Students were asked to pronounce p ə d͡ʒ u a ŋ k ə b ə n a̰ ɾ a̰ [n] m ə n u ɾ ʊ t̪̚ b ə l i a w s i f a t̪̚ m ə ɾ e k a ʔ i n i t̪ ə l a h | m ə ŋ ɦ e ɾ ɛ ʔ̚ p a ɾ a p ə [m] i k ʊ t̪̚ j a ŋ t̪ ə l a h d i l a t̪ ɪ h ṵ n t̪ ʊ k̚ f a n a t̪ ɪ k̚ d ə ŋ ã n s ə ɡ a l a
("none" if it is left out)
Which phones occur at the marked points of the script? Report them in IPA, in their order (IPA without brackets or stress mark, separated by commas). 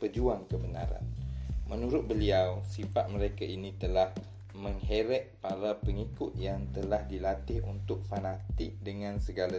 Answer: n, ŋ